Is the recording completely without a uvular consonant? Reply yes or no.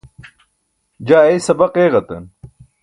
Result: no